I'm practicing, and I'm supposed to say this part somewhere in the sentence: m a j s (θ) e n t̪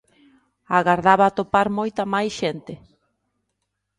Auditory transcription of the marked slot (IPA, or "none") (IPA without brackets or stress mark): ʃ